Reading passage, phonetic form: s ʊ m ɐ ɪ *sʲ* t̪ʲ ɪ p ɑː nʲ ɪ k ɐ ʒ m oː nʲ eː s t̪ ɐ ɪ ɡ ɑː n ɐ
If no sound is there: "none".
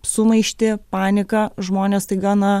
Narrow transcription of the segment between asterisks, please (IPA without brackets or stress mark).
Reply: ʃʲ